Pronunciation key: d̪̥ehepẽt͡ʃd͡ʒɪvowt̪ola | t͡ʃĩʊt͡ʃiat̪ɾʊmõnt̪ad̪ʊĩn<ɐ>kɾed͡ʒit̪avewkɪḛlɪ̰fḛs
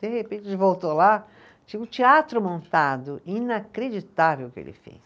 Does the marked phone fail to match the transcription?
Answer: yes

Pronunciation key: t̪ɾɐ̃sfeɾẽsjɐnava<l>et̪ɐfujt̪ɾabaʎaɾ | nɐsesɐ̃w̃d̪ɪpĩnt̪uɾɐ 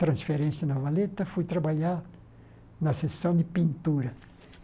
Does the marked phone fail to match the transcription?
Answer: no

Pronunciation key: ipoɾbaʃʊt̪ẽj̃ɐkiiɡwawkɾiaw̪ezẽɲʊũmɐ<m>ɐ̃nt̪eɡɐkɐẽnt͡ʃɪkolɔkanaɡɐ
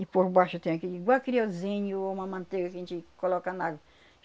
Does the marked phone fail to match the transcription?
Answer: no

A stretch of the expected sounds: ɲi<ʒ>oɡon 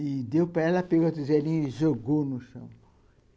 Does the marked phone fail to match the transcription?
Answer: no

